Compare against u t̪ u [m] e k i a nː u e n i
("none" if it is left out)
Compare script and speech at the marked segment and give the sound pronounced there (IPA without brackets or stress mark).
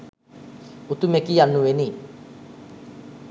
m